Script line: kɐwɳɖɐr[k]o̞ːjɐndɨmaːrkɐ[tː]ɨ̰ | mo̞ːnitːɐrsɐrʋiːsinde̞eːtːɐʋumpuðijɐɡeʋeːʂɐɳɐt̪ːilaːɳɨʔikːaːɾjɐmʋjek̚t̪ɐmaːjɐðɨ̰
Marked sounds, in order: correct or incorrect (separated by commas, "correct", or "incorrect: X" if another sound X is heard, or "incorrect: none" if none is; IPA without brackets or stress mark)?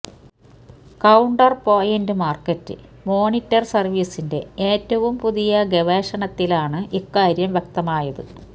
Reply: incorrect: p, correct